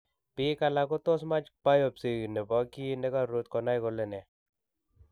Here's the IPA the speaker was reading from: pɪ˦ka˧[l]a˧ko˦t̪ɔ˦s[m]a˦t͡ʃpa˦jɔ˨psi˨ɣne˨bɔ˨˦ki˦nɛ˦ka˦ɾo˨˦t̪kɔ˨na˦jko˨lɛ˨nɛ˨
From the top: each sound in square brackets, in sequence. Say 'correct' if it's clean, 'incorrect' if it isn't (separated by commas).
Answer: correct, correct